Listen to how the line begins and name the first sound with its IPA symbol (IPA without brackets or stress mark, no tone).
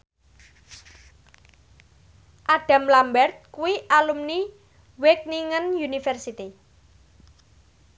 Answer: ʔ